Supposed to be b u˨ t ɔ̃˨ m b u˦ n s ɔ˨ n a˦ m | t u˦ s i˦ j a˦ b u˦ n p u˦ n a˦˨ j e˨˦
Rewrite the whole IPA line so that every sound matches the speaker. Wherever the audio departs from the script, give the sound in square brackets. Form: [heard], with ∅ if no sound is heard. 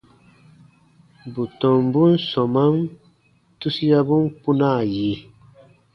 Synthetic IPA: b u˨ t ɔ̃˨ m b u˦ n s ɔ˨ [m] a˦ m | t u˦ s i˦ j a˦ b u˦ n p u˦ n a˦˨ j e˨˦